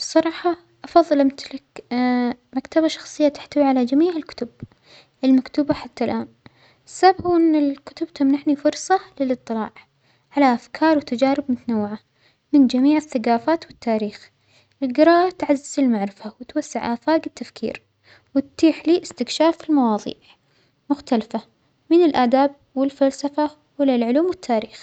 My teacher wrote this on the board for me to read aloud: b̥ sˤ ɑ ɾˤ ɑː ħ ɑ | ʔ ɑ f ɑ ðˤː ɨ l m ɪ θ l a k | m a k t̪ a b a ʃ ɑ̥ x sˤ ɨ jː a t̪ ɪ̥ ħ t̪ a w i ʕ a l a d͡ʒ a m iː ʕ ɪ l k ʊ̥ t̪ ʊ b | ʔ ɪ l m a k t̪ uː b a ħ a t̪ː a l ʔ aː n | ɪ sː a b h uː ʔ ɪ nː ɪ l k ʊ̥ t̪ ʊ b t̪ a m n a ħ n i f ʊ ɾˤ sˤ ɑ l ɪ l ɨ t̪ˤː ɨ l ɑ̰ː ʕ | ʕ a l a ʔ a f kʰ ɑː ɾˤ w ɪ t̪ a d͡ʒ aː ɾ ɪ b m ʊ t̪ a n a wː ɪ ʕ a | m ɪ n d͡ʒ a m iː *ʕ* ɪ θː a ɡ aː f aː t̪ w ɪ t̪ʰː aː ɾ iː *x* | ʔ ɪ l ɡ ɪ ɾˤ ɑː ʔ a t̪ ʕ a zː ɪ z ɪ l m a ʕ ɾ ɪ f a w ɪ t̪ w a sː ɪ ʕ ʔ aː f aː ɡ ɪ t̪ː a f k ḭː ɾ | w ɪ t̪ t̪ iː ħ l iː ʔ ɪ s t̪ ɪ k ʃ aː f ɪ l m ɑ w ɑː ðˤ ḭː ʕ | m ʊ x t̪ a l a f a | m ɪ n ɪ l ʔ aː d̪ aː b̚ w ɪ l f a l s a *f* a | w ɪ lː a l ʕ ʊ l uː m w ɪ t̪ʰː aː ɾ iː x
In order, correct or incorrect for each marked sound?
correct, correct, correct

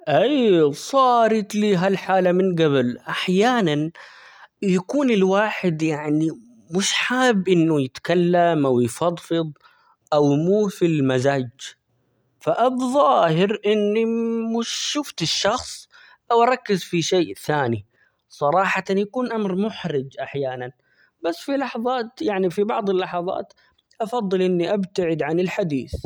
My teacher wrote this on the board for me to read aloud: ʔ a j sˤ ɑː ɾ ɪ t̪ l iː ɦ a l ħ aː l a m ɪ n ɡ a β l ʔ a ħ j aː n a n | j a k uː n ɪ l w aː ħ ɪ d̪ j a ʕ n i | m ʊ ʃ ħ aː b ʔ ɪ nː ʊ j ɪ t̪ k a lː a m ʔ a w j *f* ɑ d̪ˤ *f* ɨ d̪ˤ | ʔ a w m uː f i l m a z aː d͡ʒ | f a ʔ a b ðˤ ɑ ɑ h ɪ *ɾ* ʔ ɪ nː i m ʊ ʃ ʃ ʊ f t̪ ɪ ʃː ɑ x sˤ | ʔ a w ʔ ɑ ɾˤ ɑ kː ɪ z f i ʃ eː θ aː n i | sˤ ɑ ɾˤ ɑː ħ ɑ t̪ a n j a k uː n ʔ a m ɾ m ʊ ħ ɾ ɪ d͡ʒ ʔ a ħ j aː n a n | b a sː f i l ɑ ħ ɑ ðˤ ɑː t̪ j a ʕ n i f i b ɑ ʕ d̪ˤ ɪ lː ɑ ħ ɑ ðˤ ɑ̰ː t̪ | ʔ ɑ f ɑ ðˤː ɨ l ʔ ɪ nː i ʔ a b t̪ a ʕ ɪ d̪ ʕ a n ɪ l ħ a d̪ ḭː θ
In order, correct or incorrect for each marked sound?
correct, correct, correct

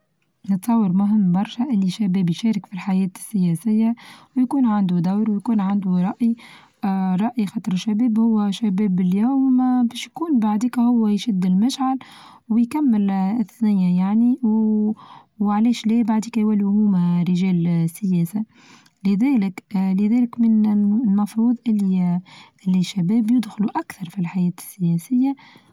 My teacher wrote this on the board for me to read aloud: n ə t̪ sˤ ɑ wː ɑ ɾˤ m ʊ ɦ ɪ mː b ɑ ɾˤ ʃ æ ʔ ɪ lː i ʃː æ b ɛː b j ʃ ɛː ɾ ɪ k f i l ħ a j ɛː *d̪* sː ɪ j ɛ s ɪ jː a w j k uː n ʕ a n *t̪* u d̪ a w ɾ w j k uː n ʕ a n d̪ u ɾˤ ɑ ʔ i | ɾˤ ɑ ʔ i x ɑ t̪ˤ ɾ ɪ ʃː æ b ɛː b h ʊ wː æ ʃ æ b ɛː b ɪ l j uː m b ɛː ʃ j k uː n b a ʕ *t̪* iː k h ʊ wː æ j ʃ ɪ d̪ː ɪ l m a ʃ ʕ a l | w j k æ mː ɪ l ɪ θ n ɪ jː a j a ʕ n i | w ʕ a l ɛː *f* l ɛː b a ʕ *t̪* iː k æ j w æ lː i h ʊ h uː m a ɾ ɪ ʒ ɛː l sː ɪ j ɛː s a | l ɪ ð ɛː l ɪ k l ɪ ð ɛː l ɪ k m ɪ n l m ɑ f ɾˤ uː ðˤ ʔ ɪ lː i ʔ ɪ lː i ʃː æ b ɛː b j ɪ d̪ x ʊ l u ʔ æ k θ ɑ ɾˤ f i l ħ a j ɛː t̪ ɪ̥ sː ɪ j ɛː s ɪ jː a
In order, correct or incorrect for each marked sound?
incorrect, incorrect, incorrect, incorrect, incorrect

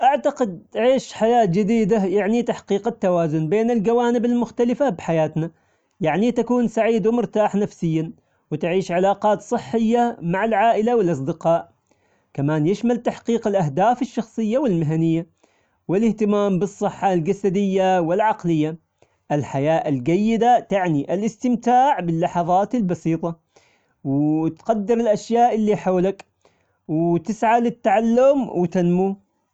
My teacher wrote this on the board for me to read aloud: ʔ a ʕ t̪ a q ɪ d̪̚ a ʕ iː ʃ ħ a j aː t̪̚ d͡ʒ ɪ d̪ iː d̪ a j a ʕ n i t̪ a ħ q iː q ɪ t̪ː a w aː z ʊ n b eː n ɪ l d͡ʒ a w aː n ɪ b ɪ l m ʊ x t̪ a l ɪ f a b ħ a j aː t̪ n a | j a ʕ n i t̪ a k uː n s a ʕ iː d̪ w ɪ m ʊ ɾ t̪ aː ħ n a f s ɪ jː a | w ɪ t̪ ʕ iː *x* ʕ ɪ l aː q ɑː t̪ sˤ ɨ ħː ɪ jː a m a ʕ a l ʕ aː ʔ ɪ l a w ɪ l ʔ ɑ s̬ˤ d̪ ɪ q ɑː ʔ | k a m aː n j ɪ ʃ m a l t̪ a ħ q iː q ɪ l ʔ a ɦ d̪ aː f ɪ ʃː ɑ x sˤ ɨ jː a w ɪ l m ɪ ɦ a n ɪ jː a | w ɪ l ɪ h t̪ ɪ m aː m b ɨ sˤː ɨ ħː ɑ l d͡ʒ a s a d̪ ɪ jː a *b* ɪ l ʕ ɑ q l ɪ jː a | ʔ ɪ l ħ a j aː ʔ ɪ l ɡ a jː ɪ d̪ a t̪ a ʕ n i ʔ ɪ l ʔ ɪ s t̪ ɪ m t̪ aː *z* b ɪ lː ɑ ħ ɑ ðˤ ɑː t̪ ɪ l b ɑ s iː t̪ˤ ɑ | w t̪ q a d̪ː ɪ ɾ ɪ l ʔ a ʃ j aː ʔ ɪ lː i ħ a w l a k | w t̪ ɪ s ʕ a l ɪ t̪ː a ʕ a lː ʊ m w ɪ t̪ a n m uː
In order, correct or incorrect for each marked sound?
incorrect, incorrect, incorrect

